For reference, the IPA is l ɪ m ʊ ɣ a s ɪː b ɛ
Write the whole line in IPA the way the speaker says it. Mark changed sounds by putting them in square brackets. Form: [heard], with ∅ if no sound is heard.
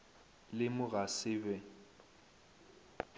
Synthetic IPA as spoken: l ɪ m ʊ ɣ a s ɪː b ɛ